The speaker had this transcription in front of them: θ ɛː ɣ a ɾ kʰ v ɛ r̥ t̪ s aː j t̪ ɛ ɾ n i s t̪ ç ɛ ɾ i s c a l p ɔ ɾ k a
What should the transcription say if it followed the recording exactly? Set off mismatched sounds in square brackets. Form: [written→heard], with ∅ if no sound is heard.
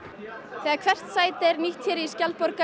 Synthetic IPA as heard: θ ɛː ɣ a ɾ kʰ v ɛ r̥ t̪ s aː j t̪ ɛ ɾ n i [s→h] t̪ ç ɛ ɾ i s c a l p ɔ ɾ k a